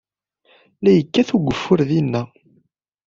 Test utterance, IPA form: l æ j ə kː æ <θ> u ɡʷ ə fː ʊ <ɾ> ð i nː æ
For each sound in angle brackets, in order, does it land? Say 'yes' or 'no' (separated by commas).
yes, yes